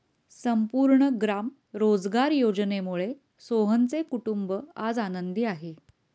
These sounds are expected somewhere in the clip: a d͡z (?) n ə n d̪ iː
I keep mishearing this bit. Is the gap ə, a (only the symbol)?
a